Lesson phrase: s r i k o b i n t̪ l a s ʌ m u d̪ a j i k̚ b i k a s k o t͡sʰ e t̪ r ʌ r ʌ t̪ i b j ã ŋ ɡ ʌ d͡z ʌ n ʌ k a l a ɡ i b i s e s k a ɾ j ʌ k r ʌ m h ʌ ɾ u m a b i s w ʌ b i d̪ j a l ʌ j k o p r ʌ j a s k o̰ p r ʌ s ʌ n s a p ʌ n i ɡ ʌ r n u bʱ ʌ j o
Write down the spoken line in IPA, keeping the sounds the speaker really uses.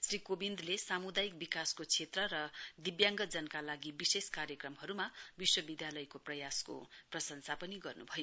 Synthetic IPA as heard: s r i k o b i n d̪ l e s a m u d̪ a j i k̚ b i k a s k o t͡sʰ e t̪ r ʌ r ʌ d̪ i b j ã ŋ ɡ ʌ d͡z ʌ n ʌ k a l a ɡ i b i s e s k a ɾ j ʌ k r ʌ m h ʌ ɾ u m a b i s w ʌ b i d̪ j a l ʌ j k o p r ʌ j a s k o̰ p r ʌ s ʌ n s a p ʌ n i ɡ ʌ r n u bʱ ʌ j o

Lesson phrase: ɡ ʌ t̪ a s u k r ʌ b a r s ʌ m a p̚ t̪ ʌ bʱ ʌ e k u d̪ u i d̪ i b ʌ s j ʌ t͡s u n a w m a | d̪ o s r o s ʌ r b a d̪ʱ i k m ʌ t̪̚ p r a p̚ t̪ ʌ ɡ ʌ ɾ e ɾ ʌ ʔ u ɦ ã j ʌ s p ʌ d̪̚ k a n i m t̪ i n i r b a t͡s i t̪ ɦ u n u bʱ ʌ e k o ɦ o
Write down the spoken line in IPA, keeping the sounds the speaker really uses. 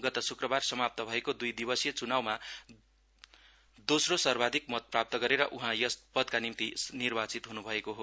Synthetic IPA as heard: ɡ ʌ t̪ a s u k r ʌ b a r s ʌ m a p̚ t̪ ʌ bʱ ʌ e k o d̪ u j d̪ i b ʌ s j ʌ t͡s u n a w m a | d̪ o s r o s ʌ r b a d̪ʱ i k m ʌ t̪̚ p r a p̚ t̪ ʌ ɡ ʌ ɾ e ɾ ʌ ʔ u ɦ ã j ʌ s p ʌ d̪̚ k a n i m t̪ i n i r b a t͡s i t̪ ɦ u n u bʱ ʌ e k o ɦ o

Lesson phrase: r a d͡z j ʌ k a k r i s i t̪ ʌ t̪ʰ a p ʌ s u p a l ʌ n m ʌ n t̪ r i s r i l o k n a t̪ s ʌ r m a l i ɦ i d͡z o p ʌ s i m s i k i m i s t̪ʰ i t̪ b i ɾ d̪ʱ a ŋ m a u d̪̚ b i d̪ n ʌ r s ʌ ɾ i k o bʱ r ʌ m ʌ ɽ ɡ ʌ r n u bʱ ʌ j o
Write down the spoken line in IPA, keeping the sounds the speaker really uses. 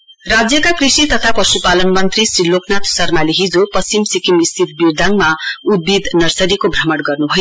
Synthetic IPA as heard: r a d͡z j ʌ k a k r i s i t̪ ʌ t̪ʰ a p ʌ s u p a l ʌ n m ʌ n t̪ r i s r i l o k n a t̪ s ʌ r m a l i ɦ i d͡z o p ʌ s i m s i k i m i s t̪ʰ i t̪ b i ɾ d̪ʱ a ŋ m a u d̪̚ b i d̪ n ʌ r s ʌ ɾ i k o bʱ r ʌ m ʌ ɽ ɡ ʌ r n u bʱ ʌ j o

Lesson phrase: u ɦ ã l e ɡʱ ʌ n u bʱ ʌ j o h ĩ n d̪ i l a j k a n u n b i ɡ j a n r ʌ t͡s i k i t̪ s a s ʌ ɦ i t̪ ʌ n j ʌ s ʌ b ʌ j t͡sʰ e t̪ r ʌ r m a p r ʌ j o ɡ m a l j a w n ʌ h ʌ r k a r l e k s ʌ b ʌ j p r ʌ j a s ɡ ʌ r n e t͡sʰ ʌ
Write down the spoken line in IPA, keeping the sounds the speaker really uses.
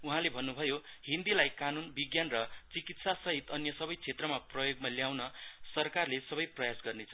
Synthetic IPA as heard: u ɦ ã l e bʱ ʌ nː u bʱ ʌ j o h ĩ n d̪ i l a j k a n u n b i ɡ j a n r ʌ t͡s i k i t̪ s a s ʌ ɦ i t̪ ʌ n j ʌ s ʌ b ʌ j t͡sʰ e t̪ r ʌ m a p r ʌ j o ɡ m a l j a w n ʌ s ʌ r k a r l e s ʌ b ʌ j p r ʌ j a s ɡ ʌ r n e t͡sʰ ʌ

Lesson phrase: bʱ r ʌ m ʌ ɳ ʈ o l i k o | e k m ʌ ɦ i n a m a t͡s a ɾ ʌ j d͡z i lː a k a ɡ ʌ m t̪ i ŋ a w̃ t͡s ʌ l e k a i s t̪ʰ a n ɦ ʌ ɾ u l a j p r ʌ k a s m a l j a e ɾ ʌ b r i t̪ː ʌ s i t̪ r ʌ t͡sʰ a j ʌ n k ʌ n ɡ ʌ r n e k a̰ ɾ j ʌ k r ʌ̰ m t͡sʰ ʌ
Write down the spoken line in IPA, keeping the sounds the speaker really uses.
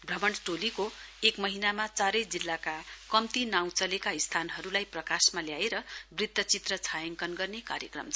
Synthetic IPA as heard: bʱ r ʌ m ʌ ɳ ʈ o l i k o | e k m ʌ ɦ i n a m a t͡s a ɾ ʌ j d͡z i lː a k a k ʌ m t̪ i n a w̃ t͡s ʌ l e k a i s t̪ʰ a n ɦ ʌ ɾ u l a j p r ʌ k a s m a l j a e ɾ ʌ b r i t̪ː ʌ t͡s i t̪ r ʌ t͡sʰ a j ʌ ŋ k ʌ n ɡ ʌ r n e k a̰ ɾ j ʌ k r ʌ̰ m t͡sʰ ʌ

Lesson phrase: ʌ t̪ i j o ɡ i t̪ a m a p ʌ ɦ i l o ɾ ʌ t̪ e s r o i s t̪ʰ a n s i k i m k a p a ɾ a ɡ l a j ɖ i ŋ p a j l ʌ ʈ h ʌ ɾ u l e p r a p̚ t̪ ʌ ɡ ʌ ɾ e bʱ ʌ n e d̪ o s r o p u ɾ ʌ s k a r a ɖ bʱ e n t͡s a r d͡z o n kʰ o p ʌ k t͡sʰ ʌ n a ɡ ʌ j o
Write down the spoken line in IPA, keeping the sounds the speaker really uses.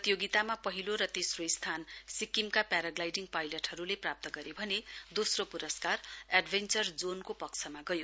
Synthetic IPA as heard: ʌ t̪ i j o ɡ i t̪ a m a p ʌ ɦ i l o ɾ ʌ t̪ e s r o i s t̪ʰ a n s i k i m k a p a ɾ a ɡ l a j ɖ i ŋ p a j l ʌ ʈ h ʌ ɾ u l e p r a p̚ t̪ ʌ ɡ ʌ ɾ e bʱ ʌ n e d̪ o s r o p u ɾ ʌ s k a r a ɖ bʱ e n t͡s ʌ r d͡z o n k o p ʌ k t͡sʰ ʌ m a ɡ ʌ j o

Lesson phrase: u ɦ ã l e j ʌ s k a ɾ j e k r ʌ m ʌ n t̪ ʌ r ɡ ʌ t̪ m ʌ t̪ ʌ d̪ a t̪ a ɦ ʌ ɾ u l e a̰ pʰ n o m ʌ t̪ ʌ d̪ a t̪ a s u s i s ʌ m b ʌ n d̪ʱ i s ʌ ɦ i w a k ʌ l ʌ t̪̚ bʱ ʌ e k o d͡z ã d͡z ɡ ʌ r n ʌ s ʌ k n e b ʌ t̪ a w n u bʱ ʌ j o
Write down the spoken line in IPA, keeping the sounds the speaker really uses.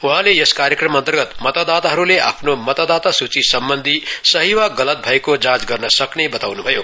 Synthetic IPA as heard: u ɦ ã l e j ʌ s k a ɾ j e k r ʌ m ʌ n t̪ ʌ r ɡ ʌ t̪ m ʌ t̪ a d̪ a t̪ a ɦ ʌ ɾ u l e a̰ pʰ n o m ʌ t̪ a d̪ a t̪ a s u t͡s i s ʌ m b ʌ n d̪ʱ i s ʌ ɦ i w a ɡ ʌ l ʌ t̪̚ bʱ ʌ e k o d͡z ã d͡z ɡ ʌ r n ʌ s ʌ k n e b ʌ t̪ a w n u bʱ ʌ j o

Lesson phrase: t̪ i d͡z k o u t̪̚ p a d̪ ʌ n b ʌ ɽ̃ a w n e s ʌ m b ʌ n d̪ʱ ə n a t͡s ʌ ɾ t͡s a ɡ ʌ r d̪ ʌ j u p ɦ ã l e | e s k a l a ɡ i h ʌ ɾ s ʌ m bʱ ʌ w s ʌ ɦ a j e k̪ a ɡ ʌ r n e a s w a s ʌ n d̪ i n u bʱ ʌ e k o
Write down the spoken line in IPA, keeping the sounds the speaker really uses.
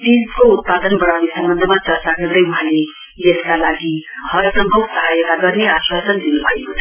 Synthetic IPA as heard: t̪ i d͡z k o u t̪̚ p a d̪ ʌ n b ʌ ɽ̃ a w n e s ʌ m b ʌ n d̪ʱ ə m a t͡s ʌ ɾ t͡s a ɡ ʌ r d̪ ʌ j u ɦ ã l e | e s k a l a ɡ i h ʌ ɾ s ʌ m bʱ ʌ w s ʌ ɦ a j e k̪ a ɡ ʌ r n e a s w a s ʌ n d̪ i n u bʱ ʌ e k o

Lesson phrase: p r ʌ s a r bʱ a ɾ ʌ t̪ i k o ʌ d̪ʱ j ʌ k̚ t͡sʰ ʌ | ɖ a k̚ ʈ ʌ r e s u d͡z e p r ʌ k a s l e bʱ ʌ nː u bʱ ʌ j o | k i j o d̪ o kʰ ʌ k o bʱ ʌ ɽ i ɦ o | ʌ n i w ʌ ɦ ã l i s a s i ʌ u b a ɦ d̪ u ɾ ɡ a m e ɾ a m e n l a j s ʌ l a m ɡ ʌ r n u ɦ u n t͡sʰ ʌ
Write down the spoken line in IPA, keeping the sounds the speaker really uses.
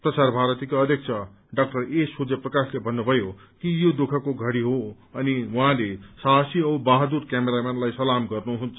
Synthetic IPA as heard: p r ʌ s a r bʱ a ɾ ʌ t̪ i k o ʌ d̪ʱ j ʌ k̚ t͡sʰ ʌ | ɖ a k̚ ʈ ʌ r e s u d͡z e p r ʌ k a s l e bʱ ʌ nː u bʱ ʌ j o | k i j o d̪ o kʰ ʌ k o ɡʱ ʌ ɽ i ɦ o | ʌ n i w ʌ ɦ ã l e s a s i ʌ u b a ɦ d̪ u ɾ k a m e ɾ a m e n l a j s ʌ l a m ɡ ʌ r n u ɦ u n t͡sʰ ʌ

